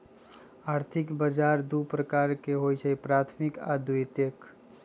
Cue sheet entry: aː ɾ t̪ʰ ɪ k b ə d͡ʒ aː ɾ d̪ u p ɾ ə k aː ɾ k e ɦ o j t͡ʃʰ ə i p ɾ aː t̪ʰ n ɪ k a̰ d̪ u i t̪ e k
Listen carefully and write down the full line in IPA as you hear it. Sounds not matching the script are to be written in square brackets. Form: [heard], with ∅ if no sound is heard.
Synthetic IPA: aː ɾ t̪ʰ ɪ k b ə d͡ʒ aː ɾ d̪ u p ɾ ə k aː ɾ k e ɦ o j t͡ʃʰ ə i p ɾ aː t̪ʰ [m] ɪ k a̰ d̪ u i t̪ e k